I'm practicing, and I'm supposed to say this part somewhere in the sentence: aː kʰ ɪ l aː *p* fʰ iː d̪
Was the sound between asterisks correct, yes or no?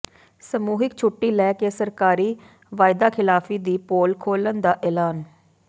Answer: no